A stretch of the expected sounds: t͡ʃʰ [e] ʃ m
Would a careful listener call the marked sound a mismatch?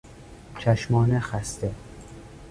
yes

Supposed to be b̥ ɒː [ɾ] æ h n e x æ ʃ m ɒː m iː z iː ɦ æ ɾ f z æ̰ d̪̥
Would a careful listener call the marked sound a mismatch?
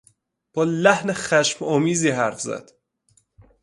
yes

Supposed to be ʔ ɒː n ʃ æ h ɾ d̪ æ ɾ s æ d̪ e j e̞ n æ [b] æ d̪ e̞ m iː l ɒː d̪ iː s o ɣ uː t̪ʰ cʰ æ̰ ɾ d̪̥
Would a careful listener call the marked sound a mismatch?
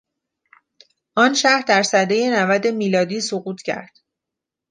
yes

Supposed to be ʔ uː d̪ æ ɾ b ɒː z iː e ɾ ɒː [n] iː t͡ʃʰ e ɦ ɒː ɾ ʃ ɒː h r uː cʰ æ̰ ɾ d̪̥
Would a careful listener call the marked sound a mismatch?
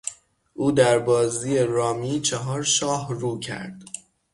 yes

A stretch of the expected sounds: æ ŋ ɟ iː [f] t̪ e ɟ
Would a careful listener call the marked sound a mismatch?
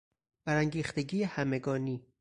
yes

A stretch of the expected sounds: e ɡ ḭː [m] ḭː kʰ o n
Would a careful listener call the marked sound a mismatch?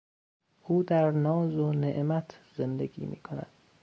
no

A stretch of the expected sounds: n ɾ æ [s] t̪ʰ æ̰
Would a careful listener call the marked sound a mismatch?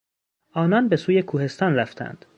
yes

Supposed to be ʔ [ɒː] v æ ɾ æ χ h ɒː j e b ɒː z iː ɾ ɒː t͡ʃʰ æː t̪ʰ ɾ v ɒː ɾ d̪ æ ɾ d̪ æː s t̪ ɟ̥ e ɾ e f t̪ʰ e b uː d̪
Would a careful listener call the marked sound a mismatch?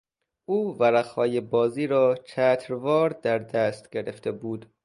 yes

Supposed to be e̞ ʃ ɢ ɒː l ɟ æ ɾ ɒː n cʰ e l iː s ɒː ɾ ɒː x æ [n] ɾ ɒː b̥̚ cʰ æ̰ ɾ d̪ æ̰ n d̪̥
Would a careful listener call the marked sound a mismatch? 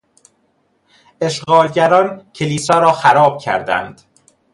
yes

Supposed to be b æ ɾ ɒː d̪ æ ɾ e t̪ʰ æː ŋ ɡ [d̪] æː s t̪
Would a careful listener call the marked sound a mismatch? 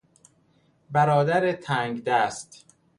no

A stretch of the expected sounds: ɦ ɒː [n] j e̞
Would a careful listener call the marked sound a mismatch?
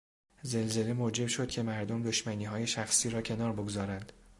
yes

